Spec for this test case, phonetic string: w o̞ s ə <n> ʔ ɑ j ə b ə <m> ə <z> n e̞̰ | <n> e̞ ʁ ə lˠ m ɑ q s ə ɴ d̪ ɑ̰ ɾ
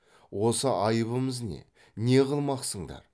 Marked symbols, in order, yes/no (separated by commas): no, yes, yes, yes